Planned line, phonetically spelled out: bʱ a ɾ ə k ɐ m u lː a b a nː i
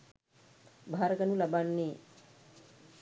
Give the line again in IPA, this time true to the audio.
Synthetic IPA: bʱ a ɾ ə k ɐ n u l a b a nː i

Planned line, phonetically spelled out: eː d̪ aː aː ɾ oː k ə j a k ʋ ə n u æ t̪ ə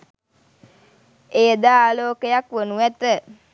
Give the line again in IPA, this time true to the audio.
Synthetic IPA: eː d̪ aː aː l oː k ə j a k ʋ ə n u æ t̪ ə

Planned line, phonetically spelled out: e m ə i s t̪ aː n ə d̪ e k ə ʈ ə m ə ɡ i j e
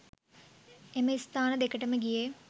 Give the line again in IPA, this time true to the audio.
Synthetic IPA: e m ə i s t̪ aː n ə d̪ e k ə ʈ ə m ə ɡ i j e

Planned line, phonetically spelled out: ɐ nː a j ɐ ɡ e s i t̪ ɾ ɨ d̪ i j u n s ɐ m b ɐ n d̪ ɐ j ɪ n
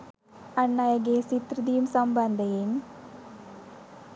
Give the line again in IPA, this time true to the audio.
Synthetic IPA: ɐ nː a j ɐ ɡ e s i t̪ ɾ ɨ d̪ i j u m s ɐ m b ɐ n d̪ ɐ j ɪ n

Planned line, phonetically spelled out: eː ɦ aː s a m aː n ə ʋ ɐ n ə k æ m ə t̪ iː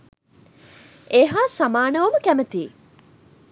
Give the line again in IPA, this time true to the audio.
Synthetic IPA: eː ɦ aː s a m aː n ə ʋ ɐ m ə k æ m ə t̪ iː

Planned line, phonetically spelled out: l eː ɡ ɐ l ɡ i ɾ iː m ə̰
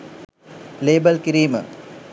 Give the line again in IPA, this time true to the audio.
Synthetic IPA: l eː b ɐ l k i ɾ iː m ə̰

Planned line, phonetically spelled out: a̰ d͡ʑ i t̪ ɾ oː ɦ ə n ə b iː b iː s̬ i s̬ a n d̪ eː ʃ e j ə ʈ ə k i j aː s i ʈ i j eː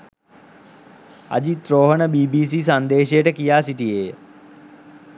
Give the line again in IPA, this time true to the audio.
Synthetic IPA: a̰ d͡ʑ i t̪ ɾ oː ɦ ə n ə b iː b iː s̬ i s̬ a n d̪ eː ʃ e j ə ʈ ə k i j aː s i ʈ i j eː

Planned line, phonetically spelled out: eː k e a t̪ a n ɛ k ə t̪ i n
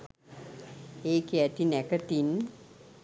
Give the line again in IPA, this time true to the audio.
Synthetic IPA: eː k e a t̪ i n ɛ k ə t̪ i n

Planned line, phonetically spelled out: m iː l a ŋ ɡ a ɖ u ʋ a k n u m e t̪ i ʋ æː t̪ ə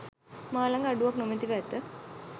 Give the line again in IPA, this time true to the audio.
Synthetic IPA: m aː l a ŋ ɡ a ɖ u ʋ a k n o m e t̪ i ʋ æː t̪ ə

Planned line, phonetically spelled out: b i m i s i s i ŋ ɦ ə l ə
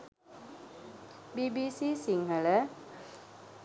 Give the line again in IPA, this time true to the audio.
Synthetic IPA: b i b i s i s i ŋ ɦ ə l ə

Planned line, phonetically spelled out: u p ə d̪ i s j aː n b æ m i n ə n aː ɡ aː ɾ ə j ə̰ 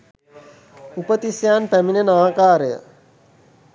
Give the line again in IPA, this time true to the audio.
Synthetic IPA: u p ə t̪ i s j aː n p æ m i n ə n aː k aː ɾ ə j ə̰

